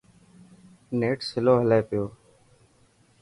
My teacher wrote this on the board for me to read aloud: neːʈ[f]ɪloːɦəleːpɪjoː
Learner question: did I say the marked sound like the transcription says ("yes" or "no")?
no